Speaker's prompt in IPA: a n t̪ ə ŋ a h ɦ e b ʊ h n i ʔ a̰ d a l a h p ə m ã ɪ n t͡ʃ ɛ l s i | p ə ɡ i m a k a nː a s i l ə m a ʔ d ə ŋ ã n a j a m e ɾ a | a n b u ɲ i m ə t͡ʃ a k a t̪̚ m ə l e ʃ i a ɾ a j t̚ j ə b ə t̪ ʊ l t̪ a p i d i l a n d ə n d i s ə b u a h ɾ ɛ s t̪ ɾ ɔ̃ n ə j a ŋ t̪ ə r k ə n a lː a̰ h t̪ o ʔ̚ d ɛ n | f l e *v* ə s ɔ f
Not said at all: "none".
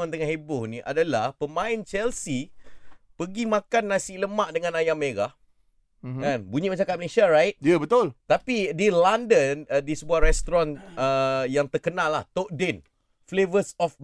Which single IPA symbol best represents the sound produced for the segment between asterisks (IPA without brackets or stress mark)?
v